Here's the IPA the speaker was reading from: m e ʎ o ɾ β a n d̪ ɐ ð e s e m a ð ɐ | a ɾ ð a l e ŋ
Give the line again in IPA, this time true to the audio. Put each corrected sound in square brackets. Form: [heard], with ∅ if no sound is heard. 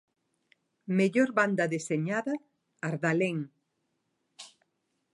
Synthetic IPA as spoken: m e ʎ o ɾ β a n d̪ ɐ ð e s e [ɲ] a ð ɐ | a ɾ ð a l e ŋ